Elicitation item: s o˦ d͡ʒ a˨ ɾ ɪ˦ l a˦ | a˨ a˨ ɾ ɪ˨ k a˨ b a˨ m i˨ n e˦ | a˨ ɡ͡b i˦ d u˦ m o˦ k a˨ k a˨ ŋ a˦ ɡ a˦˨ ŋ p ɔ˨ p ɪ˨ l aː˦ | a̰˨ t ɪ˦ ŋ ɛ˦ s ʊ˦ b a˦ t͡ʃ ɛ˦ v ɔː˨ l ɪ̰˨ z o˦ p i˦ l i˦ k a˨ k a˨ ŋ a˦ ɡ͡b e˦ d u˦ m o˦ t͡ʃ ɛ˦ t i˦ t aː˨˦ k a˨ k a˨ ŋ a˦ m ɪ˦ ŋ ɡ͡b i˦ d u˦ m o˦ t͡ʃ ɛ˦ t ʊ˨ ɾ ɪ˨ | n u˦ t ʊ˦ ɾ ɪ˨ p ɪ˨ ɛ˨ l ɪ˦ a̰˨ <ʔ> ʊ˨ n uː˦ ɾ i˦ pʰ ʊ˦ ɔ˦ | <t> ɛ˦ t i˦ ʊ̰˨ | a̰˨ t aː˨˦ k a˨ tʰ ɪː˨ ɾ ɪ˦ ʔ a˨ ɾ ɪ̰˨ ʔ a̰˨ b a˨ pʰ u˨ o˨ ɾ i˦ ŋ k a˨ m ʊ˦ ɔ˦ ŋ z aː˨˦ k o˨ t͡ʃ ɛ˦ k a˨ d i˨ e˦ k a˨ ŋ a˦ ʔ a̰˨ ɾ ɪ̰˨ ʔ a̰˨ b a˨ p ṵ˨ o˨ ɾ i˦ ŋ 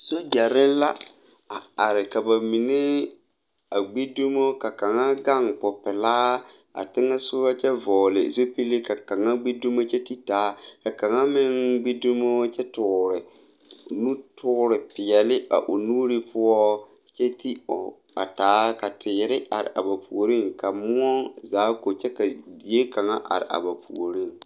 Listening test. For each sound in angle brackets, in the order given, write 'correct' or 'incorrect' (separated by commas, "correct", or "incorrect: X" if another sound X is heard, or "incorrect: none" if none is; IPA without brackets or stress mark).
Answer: correct, incorrect: t͡ʃ